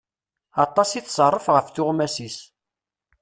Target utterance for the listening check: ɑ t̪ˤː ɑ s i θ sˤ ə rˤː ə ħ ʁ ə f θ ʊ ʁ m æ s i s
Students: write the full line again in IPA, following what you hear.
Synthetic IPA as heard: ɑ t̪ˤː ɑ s i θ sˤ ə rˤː ə f ʁ ə f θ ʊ ʁ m æ s i s